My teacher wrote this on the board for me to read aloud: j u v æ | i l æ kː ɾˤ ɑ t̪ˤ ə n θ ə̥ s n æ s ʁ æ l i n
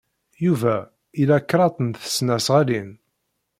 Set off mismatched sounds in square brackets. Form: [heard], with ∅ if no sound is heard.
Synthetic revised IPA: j u v æ | i l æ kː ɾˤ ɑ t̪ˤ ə n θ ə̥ s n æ s ʁ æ l i n